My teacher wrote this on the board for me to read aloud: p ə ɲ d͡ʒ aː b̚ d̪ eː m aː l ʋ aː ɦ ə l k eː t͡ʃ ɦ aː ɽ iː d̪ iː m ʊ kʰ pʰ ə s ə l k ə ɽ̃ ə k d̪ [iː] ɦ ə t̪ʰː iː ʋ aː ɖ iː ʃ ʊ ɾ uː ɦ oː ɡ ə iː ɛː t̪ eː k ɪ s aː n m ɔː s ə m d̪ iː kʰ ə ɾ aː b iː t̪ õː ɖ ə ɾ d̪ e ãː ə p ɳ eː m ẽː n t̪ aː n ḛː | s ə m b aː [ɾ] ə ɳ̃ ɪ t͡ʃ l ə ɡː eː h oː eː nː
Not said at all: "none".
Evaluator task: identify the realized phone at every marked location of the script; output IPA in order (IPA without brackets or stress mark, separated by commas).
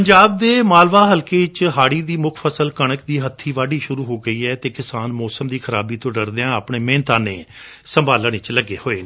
iː, l